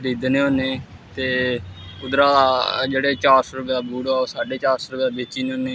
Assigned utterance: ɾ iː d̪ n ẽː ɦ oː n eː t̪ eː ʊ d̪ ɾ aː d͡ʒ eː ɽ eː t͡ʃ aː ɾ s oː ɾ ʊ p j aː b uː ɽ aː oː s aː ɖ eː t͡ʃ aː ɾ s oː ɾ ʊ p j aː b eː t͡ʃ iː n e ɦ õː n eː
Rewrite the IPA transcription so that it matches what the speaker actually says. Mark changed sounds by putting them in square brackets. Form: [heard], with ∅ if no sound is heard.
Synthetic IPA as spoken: ɾ iː d̪ n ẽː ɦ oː n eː t̪ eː ʊ d̪ ɾ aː d͡ʒ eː ɽ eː t͡ʃ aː ɾ s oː ɾ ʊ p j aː b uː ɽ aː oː s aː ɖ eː t͡ʃ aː ɾ s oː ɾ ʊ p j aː b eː t͡ʃ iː n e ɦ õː n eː